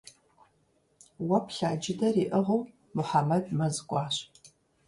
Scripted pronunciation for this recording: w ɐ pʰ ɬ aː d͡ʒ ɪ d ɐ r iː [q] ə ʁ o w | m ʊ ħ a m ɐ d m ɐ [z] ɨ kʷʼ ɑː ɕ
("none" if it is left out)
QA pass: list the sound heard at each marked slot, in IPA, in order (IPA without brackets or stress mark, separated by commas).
ʔ, z